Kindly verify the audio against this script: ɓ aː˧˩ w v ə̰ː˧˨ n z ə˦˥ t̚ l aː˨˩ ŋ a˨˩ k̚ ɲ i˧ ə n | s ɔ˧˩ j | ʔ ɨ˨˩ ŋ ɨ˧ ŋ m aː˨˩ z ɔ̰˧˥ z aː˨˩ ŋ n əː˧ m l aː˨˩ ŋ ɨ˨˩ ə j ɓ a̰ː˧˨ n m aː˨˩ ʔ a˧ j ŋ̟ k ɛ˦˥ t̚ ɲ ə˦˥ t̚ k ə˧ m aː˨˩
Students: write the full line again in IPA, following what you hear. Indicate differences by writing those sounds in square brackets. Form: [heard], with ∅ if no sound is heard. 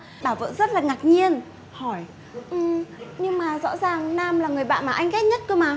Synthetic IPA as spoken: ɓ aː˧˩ w v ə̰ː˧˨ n z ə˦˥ t̚ l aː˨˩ ŋ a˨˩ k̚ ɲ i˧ ə n | [h] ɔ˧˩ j | ʔ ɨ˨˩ [ɲ] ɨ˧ ŋ m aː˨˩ z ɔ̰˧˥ z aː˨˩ ŋ n [aː˧] m l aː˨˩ ŋ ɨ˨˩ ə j ɓ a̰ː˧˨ n m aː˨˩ ʔ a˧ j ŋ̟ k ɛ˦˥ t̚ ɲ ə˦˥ t̚ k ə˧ m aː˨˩